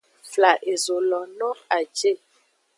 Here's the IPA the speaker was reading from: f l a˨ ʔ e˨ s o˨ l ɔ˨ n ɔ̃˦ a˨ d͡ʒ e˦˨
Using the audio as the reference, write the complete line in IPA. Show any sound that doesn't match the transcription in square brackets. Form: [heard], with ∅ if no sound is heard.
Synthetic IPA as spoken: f l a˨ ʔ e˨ [z] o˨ l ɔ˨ n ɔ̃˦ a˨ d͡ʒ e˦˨